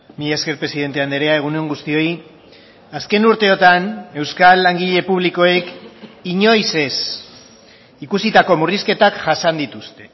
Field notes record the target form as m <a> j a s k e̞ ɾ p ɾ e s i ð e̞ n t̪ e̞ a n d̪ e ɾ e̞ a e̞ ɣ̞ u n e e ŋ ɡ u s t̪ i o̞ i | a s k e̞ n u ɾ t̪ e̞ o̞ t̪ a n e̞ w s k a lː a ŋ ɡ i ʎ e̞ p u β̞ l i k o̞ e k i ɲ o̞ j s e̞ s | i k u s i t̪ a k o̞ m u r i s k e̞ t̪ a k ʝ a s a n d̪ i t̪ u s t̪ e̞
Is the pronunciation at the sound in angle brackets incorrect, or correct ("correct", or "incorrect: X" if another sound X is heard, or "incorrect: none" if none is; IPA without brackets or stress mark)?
incorrect: i